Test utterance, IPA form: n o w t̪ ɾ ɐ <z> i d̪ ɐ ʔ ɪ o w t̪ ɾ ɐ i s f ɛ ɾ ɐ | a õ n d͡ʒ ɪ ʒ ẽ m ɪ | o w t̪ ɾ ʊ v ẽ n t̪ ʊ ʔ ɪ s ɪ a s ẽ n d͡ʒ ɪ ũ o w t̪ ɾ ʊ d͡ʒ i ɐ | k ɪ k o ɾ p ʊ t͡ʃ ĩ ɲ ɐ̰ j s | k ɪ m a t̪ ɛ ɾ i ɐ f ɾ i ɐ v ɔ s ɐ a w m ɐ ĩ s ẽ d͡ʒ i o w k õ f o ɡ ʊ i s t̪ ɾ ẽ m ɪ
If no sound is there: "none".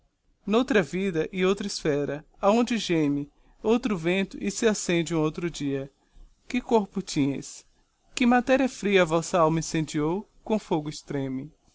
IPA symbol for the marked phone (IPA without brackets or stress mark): v